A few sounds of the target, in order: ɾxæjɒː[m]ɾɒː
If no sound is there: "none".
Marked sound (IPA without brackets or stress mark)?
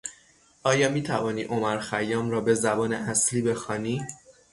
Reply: m